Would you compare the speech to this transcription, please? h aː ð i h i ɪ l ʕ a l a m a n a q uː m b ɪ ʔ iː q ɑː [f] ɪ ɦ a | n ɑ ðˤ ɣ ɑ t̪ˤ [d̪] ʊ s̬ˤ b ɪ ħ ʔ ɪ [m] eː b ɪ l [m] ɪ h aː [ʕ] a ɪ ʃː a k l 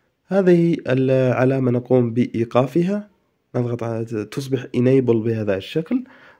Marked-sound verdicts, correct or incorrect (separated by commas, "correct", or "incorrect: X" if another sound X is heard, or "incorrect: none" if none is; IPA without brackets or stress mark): correct, incorrect: t̪, incorrect: n, incorrect: b, incorrect: ð